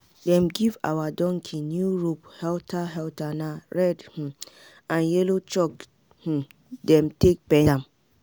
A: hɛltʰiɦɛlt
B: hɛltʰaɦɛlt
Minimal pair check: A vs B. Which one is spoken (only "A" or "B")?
B